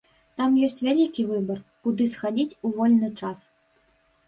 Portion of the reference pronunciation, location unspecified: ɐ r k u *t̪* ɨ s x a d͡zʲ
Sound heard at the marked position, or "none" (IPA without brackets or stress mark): d̪